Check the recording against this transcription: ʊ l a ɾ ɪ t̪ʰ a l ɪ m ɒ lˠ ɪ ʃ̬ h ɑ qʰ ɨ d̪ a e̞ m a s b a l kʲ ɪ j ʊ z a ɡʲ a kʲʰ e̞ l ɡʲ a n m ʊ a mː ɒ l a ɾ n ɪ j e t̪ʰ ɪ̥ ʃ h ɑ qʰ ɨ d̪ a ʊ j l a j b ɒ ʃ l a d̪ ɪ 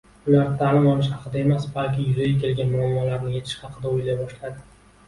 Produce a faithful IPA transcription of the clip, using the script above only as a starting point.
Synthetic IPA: ʊ l a ɾ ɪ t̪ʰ a l ɪ m ɒ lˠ ɪ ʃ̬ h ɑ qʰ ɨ d̪ a e̞ m a s b a l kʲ ɪ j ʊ z a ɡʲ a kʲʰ e̞ l ɡʲ a n m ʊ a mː ɒ l a ɾ n ɪ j e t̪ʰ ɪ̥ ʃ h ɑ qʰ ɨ d̪ a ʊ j l a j b ɒ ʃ l a d̪ ɪ